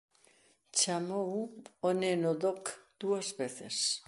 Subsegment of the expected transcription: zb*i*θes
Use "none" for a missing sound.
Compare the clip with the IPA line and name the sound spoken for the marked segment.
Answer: e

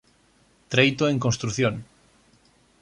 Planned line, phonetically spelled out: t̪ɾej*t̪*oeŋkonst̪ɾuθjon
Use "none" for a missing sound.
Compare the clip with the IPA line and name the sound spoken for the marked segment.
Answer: t̪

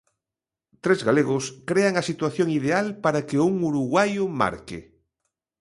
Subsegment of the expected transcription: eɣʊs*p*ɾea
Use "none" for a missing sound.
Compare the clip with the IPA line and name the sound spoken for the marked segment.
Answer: k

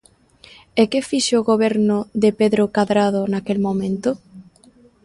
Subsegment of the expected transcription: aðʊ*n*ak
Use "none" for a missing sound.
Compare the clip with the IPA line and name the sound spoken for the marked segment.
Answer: n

